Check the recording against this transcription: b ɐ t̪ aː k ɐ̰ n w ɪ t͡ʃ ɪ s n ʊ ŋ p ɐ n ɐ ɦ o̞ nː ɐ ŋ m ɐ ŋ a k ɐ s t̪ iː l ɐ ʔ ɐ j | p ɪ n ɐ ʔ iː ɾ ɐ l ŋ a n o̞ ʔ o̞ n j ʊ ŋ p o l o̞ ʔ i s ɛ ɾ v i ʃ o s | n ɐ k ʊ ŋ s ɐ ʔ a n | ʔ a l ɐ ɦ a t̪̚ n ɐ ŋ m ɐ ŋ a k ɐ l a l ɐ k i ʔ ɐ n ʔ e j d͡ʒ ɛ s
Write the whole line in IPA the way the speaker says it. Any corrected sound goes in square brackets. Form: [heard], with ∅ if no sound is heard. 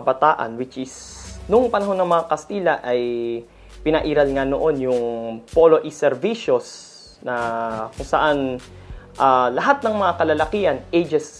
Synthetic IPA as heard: b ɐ t̪ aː [ʔ] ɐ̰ n w ɪ t͡ʃ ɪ s n ʊ ŋ p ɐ n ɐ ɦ o̞ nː ɐ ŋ m ɐ ŋ a k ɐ s t̪ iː l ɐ ʔ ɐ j | p ɪ n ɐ ʔ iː ɾ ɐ l ŋ a n o̞ ʔ o̞ n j ʊ ŋ p o l o̞ ʔ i s ɛ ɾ v i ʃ o s | n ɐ k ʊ ŋ s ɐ ʔ a n | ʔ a l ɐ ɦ a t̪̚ n ɐ ŋ m ɐ ŋ a k ɐ l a l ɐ k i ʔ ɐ n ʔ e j d͡ʒ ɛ s